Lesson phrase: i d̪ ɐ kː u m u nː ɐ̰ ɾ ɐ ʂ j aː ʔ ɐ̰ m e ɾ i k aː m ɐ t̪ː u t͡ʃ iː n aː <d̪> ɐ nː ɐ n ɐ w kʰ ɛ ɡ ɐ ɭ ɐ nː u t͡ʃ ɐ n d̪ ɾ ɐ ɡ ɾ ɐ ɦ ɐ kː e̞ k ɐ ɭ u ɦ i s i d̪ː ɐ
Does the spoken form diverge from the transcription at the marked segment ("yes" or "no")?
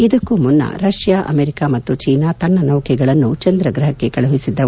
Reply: yes